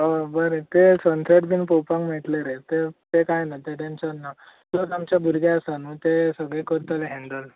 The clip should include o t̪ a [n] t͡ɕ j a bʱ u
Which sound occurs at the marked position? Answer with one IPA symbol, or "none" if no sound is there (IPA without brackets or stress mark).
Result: m